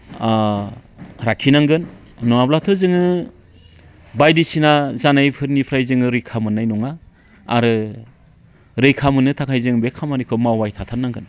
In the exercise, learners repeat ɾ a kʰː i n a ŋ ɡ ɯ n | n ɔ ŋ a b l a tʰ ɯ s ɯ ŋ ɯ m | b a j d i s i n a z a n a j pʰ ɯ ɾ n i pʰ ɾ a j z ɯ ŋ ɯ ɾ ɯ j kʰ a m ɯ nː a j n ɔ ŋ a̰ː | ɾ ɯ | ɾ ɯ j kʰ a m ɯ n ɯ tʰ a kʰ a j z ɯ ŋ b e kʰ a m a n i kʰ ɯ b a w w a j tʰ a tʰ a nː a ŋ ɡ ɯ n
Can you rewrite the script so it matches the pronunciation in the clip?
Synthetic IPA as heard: ɾ a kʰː i n a ŋ ɡ ɯ n | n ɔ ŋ a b l a tʰ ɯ z ɯ ŋ ɯ | b a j d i s i n a z a n a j pʰ ɯ ɾ n i pʰ ɾ a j z ɯ ŋ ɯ ɾ ɯ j kʰ a m ɯ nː a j n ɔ ŋ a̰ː | ɾ ɯ | ɾ ɯ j kʰ a m ɯ n ɯ tʰ a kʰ a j z ɯ ŋ b e kʰ a m a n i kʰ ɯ m a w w a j tʰ a tʰ a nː a ŋ ɡ ɯ n